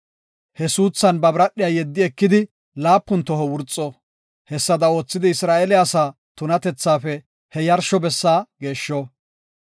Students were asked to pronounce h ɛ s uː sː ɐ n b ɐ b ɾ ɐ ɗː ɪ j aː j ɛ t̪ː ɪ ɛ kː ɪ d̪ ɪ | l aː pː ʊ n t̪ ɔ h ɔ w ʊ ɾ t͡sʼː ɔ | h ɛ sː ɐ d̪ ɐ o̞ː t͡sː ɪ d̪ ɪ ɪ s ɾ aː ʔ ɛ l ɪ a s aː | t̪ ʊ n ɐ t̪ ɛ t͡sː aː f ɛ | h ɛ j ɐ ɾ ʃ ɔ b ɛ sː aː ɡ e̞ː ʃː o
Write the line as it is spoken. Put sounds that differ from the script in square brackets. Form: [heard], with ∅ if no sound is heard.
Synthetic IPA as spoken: h ɛ s uː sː ɐ n b ɐ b ɾ ɐ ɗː ɪ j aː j ɛ [d̪ː] ɪ ɛ kː ɪ d̪ ɪ | l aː pː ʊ n t̪ ɔ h ɔ w ʊ ɾ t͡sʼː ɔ | h ɛ sː ɐ d̪ ɐ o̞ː t͡sː ɪ d̪ ɪ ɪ s ɾ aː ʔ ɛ l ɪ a s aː | t̪ ʊ n ɐ t̪ ɛ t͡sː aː f ɛ | h ɛ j ɐ ɾ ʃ ɔ b ɛ sː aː ɡ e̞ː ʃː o